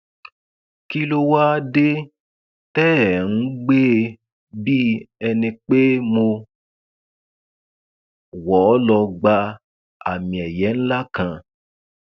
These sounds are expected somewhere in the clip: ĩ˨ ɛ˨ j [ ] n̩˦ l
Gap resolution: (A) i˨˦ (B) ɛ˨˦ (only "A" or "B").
B